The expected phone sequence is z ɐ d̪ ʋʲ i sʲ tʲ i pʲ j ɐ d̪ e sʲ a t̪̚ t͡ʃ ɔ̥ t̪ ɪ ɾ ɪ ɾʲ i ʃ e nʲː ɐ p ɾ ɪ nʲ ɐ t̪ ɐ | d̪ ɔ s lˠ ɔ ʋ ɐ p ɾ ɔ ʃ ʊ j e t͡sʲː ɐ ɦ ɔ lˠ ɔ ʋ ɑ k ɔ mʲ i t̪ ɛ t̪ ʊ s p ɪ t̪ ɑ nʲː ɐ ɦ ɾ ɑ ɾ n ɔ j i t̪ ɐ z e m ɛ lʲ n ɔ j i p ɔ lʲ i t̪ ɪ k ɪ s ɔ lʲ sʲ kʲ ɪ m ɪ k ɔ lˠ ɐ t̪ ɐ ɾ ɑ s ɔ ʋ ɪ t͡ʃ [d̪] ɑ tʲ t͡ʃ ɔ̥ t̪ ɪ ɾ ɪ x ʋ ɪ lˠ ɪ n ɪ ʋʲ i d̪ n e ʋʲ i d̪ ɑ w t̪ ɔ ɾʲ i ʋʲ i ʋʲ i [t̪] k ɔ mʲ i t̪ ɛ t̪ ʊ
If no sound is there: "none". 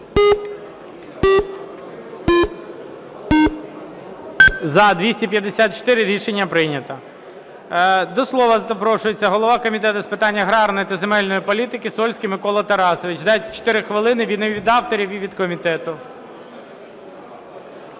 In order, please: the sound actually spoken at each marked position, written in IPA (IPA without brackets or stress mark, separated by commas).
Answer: d̪, d̪